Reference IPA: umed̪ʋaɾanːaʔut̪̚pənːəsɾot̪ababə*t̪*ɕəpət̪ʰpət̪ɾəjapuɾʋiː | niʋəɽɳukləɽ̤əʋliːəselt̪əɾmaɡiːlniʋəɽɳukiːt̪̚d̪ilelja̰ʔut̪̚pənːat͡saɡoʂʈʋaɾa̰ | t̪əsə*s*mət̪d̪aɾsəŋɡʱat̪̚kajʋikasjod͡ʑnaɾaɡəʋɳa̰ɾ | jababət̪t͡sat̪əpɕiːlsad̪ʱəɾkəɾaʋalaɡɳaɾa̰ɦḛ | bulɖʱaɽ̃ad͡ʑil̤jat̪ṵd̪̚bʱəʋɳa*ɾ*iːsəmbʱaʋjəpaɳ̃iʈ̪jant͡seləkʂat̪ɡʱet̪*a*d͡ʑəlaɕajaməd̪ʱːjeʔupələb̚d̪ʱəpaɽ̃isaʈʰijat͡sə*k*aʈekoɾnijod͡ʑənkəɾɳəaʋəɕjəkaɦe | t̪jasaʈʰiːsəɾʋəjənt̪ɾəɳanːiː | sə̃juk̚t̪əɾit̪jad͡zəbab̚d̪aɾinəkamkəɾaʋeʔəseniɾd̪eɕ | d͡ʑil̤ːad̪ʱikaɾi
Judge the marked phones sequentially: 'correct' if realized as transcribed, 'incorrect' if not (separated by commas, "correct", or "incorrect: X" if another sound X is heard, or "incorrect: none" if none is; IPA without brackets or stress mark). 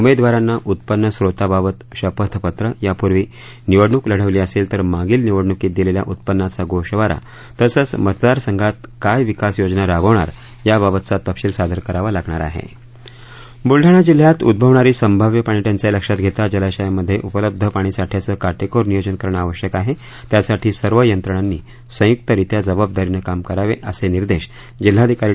correct, incorrect: t͡s, correct, correct, correct